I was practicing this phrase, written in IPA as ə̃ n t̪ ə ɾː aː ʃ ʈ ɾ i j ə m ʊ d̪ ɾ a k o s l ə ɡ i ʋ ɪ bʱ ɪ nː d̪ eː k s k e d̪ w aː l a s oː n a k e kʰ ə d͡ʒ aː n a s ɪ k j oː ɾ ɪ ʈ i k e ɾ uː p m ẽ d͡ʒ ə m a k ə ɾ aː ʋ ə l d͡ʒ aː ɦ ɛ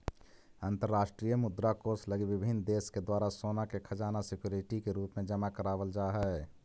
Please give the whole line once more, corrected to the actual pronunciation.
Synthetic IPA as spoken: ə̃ n t̪ ə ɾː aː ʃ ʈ ɾ i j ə m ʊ d̪ ɾ a k o s l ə ɡ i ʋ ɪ bʱ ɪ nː d̪ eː s k e d̪ w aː ɾ a s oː n a k e kʰ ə d͡ʒ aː n a s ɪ k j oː ɾ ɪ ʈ i k e ɾ uː p m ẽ d͡ʒ ə m a k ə ɾ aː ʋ ə l d͡ʒ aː ɦ ɛ